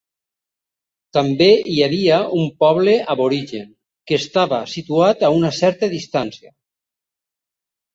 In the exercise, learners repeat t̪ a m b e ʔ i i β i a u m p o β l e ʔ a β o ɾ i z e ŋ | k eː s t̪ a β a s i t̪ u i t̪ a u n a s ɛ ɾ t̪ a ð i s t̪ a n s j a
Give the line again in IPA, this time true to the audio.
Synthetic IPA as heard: t̪ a m b e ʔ i a β i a u m p ɔ β l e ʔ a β o ɾ i ʒ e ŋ | k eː s t̪ a β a s i t̪ u a t̪ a u n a s ɛ ɾ t̪ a ð i s t̪ a n s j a